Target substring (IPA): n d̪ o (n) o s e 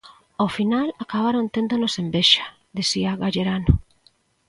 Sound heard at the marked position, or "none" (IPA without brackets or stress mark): n